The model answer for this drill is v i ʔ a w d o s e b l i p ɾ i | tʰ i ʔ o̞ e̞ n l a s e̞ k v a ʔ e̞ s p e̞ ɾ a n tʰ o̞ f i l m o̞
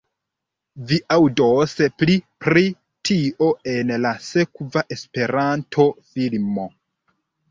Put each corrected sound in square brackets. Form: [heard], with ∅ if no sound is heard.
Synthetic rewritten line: v i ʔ a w d o s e [p] l i p ɾ i | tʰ i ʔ o̞ e̞ n l a s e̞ k v a ʔ e̞ s p e̞ ɾ a n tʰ o̞ f i l m o̞